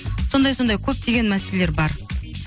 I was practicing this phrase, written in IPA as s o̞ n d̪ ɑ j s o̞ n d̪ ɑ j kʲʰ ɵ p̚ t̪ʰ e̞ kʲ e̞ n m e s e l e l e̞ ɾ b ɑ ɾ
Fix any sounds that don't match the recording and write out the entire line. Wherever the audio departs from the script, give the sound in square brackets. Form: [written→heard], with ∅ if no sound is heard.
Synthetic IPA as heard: s o̞ n d̪ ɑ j s o̞ n d̪ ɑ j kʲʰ ɵ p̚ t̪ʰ e̞ [kʲ→ɡʲ] e̞ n m [e→æ] s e l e l e̞ ɾ b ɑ ɾ